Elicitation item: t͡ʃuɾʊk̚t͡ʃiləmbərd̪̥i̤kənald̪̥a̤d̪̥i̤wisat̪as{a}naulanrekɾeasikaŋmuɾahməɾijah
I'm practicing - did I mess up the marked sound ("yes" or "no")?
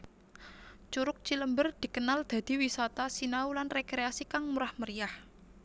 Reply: yes